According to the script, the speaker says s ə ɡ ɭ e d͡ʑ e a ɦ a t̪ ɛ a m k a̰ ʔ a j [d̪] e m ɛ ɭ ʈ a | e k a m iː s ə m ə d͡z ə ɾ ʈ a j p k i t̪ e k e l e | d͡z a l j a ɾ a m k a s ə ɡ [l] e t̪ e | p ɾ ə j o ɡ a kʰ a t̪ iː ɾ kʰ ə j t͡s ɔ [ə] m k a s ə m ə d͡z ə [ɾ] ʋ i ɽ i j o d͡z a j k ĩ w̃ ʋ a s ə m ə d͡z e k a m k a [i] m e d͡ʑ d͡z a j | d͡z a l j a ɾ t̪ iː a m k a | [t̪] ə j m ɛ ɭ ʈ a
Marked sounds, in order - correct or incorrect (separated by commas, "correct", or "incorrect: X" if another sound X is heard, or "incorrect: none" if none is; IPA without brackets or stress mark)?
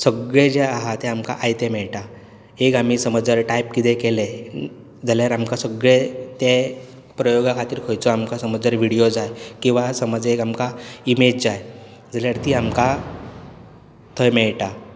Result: incorrect: t̪, incorrect: ɭ, incorrect: a, correct, correct, incorrect: t̪ʰ